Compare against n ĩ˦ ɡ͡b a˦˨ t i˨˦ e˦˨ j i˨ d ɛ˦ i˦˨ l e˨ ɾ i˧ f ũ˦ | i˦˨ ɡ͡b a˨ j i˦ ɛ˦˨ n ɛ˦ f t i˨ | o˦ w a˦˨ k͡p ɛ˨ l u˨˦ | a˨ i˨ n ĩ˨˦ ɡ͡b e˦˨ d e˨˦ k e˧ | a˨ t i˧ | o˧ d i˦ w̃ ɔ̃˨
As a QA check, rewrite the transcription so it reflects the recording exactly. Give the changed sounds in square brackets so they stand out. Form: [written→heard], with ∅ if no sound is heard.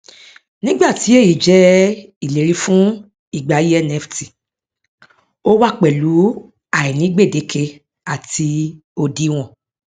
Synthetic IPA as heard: n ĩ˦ ɡ͡b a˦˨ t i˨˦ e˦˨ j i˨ [d→d͡ʒ] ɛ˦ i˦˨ l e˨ ɾ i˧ f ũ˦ | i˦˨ ɡ͡b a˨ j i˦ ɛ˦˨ n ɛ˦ f t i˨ | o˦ w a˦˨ k͡p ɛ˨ l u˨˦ | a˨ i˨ n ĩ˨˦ ɡ͡b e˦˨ d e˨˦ k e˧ | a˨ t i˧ | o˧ d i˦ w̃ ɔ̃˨